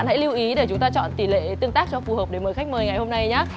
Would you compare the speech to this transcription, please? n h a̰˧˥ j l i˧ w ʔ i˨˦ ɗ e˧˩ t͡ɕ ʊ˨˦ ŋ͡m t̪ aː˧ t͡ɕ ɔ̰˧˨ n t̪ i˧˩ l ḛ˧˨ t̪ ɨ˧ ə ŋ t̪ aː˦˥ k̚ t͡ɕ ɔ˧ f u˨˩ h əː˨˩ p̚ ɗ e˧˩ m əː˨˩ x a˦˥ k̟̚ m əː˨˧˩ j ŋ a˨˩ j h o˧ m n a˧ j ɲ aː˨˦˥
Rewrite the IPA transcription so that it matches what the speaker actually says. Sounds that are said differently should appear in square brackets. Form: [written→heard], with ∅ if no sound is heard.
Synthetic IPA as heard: n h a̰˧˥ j l i˧ w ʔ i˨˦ ɗ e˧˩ t͡ɕ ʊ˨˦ ŋ͡m t̪ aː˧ t͡ɕ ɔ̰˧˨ n t̪ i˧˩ l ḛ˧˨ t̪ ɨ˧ ə ŋ t̪ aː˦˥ k̚ t͡ɕ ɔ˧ f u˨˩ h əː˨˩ p̚ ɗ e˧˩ m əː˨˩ x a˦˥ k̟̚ m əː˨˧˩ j ŋ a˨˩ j h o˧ m n a˧ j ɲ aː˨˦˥